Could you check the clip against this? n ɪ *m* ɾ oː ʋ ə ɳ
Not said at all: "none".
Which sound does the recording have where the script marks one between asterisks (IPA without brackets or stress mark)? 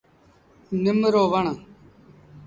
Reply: m